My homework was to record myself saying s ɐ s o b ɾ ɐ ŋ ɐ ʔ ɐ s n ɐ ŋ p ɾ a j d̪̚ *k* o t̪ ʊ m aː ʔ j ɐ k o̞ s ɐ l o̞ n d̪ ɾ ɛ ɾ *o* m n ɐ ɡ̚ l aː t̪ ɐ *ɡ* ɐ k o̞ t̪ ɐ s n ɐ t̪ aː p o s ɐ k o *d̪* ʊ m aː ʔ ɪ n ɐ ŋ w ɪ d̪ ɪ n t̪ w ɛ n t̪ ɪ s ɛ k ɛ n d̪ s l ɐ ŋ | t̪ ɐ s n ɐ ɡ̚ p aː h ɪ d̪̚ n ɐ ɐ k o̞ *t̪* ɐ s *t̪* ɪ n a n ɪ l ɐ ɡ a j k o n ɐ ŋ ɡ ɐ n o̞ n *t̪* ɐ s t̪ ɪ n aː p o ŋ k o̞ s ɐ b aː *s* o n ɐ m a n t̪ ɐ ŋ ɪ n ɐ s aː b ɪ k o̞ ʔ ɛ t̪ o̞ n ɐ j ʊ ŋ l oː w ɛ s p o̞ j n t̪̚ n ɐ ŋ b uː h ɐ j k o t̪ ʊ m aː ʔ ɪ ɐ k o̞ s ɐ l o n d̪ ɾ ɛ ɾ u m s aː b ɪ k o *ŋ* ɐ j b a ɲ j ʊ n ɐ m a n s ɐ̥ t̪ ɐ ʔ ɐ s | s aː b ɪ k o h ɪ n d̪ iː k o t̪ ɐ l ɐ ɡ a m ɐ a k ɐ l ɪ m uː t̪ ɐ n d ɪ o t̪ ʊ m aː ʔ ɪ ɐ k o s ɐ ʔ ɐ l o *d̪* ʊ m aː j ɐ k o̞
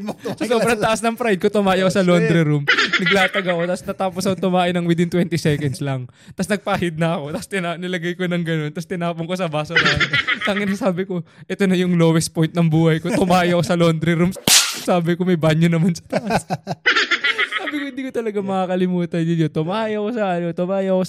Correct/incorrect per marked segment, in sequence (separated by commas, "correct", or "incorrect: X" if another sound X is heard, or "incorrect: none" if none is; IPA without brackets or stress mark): correct, incorrect: u, correct, incorrect: t̪, correct, correct, correct, correct, incorrect: m, incorrect: t̪